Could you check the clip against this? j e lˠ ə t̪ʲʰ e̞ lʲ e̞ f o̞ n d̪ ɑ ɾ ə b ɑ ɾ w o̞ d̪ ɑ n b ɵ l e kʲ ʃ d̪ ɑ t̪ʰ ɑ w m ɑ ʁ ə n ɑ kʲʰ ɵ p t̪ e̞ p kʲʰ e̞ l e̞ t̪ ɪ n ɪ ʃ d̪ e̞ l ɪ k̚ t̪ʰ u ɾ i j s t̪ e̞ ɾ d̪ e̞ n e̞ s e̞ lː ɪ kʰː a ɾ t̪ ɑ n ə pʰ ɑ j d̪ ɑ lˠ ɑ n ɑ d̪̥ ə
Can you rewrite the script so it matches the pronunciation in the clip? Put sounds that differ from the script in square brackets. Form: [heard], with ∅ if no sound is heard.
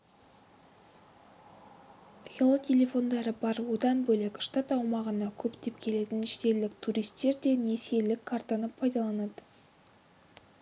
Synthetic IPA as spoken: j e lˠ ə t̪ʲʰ e̞ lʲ e̞ f o̞ n d̪ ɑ ɾ ə b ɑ ɾ w o̞ d̪ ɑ n b ɵ l e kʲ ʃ [t̪] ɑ [t̪] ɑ w m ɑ ʁ ə n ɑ kʲʰ ɵ p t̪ e̞ p kʲʰ e̞ l e̞ t̪ ɪ n ɪ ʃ [t̪] e̞ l ɪ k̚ t̪ʰ u ɾ i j s t̪ e̞ ɾ d̪ e̞ n e̞ s e̞ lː ɪ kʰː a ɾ t̪ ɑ n ə pʰ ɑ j d̪ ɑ lˠ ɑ n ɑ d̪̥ ə